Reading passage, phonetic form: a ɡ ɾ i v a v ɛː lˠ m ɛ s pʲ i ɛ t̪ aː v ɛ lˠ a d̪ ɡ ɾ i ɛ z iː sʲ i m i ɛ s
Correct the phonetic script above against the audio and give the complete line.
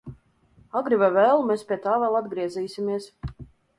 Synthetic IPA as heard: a ɡ ɾ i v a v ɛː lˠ m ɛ s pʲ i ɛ t̪ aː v ɛ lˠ a d̪ ɡ ɾ i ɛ z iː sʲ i m i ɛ s